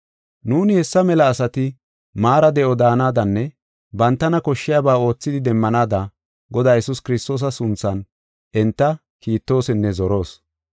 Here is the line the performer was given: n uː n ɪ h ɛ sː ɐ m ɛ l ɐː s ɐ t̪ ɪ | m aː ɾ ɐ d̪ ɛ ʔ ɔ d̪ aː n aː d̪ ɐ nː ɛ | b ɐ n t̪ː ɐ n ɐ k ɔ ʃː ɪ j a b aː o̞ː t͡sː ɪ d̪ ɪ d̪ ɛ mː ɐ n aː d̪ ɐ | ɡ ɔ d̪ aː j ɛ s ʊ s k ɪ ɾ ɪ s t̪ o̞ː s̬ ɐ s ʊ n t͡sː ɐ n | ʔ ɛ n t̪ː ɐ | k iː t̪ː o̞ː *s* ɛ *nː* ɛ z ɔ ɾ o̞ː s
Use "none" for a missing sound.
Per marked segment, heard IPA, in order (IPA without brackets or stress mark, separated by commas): s, nː